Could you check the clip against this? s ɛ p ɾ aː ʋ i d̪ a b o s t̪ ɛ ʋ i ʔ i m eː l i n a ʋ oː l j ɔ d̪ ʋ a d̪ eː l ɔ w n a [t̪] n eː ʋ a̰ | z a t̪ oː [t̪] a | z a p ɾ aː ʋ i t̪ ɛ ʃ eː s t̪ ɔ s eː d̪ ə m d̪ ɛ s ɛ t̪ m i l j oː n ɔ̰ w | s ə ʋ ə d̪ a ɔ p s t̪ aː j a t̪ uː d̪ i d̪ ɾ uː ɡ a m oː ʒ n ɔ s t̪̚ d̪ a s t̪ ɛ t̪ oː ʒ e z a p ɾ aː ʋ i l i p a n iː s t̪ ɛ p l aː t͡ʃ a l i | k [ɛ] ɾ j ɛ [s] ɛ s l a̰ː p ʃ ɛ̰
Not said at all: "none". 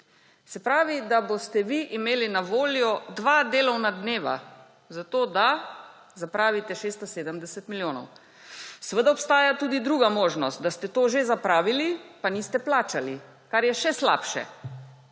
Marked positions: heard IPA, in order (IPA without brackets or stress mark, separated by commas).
d̪, d̪, a, ʃ